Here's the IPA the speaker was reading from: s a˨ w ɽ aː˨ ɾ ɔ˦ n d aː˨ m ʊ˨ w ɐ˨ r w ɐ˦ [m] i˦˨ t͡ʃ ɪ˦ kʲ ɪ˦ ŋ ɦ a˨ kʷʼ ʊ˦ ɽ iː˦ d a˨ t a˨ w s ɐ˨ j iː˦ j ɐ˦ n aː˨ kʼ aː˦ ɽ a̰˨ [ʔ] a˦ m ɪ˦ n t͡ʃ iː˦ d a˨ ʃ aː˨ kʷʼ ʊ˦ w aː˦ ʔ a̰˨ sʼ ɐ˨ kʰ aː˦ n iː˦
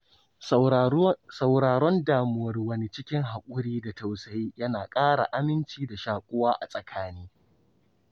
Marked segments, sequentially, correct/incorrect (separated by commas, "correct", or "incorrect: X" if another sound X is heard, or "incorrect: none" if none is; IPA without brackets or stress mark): incorrect: n, correct